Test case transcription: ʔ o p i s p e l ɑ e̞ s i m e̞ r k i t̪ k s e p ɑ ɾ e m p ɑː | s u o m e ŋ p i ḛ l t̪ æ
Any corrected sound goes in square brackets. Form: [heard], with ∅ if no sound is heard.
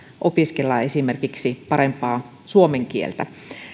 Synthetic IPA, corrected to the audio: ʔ o p i s [k] e [lː] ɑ e̞ s i m e̞ r k i [∅] k s [i] p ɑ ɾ e m p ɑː | s u o m e ŋ [k] i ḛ l t̪ æ